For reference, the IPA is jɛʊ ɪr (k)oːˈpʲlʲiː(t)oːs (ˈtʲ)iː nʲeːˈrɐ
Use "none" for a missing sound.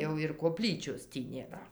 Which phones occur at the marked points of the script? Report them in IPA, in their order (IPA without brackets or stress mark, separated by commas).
k, t͡ʃʲ, tʲ